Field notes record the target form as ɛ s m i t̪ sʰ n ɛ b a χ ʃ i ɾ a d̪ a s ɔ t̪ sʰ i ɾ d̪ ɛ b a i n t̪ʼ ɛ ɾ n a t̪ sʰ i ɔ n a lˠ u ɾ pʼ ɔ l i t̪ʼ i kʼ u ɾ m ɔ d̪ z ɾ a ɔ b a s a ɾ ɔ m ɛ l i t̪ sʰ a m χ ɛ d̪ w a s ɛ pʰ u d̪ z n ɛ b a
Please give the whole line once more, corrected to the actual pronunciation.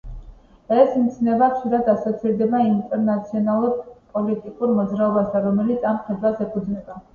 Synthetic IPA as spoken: ɛ s m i t̪ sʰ n ɛ b a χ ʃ i ɾ a d̪ a s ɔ t̪ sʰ i ɾ d̪ ɛ b a i n t̪ʼ ɛ ɾ n a t̪ sʰ i ɔ n a lˠ u ɾ pʼ ɔ l i t̪ʼ i kʼ u ɾ m ɔ d̪ z ɾ a ɔ b a s a ɾ ɔ m ɛ l i t̪ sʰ a m χ ɛ d̪ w a s ɛ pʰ u d̪ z n ɛ b a